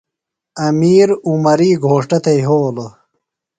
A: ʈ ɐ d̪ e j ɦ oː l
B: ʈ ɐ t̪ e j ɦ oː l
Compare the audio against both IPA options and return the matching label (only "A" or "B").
B